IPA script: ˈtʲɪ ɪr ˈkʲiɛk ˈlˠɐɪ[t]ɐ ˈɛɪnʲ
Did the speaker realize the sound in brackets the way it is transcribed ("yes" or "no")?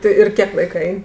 no